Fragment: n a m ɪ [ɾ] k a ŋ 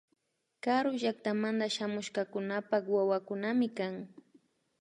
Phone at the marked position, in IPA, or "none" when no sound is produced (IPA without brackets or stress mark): none